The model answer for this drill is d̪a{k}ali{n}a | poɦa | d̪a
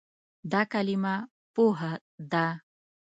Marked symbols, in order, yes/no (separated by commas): yes, no